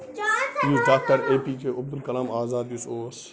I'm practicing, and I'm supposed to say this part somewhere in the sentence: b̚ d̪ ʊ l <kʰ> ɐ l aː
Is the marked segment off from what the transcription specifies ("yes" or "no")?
yes